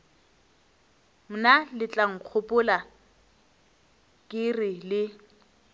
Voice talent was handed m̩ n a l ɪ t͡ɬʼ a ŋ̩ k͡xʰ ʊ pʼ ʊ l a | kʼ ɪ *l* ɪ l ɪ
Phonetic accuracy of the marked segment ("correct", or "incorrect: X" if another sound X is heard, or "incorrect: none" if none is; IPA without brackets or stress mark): incorrect: r